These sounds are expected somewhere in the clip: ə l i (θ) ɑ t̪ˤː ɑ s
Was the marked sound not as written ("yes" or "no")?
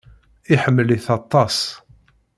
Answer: no